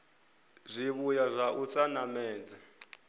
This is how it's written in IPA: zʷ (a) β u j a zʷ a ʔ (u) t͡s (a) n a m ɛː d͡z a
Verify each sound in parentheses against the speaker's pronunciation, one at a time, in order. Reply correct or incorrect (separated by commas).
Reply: incorrect, correct, correct